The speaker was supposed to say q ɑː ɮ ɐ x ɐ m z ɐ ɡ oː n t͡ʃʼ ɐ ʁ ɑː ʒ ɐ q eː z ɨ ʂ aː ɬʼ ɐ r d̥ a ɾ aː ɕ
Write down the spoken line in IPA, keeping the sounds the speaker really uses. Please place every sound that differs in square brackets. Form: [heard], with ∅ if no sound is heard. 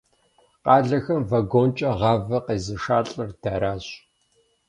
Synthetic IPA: q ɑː ɮ ɐ x ɐ m [v] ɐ ɡ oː n t͡ʃʼ ɐ ʁ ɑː [v] ɐ q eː z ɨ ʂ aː ɬʼ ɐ r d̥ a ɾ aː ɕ